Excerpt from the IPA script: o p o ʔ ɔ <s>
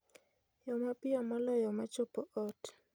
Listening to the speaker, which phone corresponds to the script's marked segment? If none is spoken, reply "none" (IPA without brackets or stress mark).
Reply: t